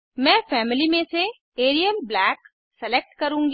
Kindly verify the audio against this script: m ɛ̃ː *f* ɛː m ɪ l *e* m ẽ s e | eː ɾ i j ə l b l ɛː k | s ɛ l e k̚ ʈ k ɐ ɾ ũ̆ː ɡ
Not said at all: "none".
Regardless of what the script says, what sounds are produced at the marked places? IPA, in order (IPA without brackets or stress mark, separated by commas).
f, i